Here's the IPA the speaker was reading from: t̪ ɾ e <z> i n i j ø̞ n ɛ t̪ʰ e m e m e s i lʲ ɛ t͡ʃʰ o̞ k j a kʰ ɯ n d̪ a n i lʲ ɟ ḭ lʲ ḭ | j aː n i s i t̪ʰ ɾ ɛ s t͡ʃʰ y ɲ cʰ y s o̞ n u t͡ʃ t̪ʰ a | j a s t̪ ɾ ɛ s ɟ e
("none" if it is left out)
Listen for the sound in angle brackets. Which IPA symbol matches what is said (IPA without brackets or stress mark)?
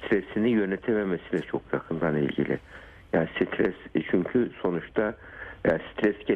s